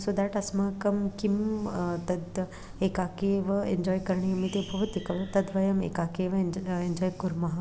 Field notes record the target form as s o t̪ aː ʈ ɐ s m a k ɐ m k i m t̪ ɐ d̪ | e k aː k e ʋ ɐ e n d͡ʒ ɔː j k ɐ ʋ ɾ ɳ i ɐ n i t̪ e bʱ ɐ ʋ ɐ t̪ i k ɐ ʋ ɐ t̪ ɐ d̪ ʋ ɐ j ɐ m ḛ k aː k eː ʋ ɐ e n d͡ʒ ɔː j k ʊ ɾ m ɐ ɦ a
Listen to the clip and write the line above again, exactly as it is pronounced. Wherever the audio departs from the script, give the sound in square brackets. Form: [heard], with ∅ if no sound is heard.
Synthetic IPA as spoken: s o [d̪] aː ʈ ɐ s m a k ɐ m k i m t̪ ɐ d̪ | e k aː k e ʋ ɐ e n d͡ʒ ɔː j k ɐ [∅] ɾ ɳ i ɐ [m] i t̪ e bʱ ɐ ʋ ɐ t̪ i k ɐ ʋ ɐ t̪ ɐ d̪ ʋ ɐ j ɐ m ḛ k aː k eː ʋ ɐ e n d͡ʒ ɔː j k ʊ ɾ m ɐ ɦ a